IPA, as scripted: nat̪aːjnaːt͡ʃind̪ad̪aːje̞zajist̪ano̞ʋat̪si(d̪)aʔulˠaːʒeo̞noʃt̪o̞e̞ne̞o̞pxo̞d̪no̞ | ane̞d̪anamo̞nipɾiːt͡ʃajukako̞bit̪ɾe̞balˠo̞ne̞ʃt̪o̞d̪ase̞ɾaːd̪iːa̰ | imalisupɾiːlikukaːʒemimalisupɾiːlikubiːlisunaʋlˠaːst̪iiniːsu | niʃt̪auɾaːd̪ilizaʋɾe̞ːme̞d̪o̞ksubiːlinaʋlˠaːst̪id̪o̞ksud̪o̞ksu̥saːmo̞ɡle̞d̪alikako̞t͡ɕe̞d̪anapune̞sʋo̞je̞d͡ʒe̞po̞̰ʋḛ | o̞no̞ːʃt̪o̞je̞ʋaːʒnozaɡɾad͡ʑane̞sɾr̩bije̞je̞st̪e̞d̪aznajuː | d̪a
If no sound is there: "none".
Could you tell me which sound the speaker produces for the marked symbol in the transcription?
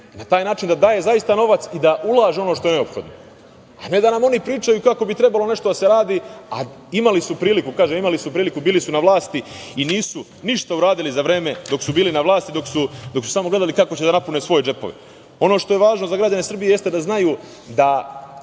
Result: d̪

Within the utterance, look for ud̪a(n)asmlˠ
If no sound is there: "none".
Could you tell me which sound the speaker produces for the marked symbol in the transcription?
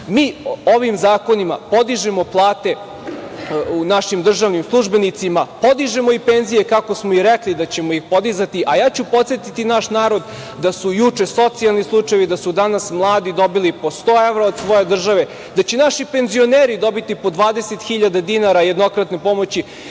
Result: n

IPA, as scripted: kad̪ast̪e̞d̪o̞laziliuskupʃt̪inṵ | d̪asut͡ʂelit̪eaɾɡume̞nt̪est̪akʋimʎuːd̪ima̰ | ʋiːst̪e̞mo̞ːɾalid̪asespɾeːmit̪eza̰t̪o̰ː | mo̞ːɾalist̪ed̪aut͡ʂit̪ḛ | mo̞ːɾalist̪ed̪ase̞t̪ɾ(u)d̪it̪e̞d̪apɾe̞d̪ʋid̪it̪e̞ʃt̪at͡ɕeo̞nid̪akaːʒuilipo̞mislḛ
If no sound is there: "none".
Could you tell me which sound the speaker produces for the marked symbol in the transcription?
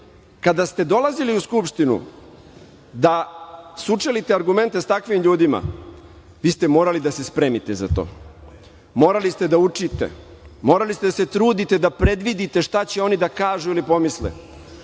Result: uː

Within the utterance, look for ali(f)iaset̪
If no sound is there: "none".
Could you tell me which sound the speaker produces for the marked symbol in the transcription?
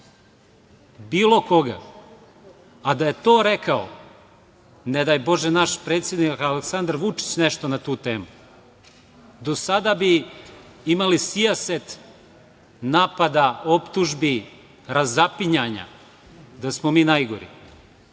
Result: s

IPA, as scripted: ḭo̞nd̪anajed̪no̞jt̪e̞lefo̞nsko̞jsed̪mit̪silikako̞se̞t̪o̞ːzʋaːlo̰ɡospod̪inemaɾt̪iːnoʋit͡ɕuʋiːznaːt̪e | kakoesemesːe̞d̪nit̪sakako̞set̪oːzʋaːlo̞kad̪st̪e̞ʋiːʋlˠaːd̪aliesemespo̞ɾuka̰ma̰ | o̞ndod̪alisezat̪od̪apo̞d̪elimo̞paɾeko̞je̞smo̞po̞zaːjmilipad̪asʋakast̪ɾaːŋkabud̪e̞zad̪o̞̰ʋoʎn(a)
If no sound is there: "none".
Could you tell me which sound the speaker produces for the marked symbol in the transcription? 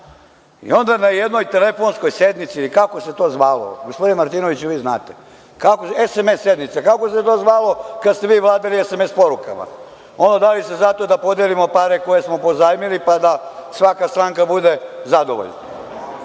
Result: a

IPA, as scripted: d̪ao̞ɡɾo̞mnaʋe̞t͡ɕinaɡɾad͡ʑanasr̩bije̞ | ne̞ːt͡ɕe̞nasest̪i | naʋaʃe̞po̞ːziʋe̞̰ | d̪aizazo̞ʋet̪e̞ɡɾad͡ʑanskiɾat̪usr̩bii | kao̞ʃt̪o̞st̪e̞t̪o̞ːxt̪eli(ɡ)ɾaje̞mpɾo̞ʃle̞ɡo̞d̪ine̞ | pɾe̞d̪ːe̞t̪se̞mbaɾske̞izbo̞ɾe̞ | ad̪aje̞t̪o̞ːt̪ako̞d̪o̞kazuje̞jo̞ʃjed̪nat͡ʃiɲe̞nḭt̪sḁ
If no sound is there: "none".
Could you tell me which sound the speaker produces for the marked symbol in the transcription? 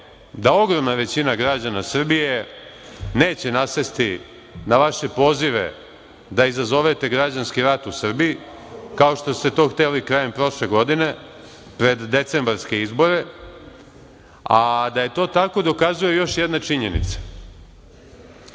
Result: k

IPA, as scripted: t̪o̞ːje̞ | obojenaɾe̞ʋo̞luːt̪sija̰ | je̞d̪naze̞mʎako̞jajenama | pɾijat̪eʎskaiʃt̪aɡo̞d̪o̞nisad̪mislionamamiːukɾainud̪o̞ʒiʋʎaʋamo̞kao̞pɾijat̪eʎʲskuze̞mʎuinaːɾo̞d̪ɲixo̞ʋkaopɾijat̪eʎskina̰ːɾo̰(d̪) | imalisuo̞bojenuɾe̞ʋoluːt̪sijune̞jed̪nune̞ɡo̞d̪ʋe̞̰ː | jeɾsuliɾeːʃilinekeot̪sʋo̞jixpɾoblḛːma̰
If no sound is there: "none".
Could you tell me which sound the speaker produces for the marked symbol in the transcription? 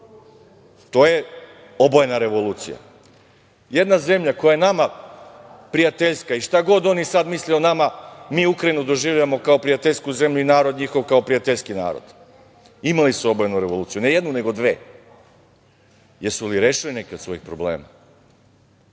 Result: d̪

